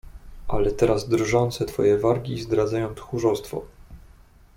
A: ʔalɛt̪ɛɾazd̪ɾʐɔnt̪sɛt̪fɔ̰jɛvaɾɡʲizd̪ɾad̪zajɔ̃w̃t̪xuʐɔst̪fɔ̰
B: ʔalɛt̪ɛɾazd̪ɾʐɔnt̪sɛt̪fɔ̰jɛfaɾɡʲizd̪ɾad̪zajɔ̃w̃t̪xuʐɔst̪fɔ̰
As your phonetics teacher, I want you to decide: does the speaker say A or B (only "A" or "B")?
A